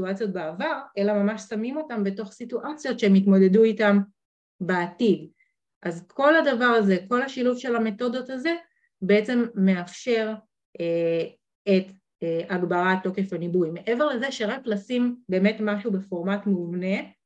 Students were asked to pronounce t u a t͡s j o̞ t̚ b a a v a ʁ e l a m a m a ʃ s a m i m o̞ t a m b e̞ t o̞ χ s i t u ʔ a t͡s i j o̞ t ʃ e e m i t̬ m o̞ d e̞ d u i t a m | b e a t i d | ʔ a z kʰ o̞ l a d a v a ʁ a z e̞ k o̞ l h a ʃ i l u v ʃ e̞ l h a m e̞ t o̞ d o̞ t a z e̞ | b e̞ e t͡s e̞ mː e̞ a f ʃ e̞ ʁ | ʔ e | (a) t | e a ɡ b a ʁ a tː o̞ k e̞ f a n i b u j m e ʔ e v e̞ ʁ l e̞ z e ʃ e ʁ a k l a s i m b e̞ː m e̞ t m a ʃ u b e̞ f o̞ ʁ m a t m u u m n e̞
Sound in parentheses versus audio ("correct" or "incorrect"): incorrect